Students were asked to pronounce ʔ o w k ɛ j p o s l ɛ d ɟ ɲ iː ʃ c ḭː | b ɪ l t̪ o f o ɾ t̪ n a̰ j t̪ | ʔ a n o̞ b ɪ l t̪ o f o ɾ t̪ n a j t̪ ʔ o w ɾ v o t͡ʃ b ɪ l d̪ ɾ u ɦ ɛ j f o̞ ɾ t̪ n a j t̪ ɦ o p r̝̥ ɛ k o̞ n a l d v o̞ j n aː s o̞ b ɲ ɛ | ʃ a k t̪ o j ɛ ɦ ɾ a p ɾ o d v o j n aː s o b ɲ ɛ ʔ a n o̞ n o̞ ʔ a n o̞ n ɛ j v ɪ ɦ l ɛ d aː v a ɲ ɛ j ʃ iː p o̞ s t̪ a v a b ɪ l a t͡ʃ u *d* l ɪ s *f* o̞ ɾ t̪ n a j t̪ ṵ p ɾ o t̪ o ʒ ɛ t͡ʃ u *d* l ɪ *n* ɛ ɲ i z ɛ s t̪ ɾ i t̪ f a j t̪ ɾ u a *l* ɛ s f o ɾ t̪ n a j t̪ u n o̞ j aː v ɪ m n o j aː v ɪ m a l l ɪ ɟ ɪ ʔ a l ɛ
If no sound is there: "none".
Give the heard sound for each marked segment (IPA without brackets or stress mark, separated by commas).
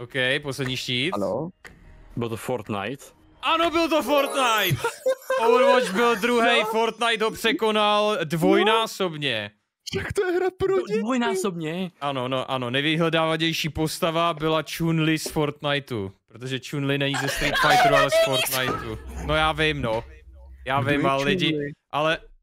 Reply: n, f, n, n, l